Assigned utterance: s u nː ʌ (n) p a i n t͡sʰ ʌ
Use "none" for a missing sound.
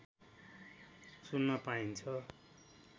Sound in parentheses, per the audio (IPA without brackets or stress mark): none